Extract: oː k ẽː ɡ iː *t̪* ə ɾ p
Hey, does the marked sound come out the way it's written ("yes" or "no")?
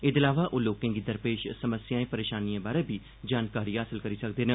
no